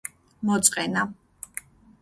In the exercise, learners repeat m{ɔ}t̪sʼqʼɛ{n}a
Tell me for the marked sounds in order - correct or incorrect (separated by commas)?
correct, correct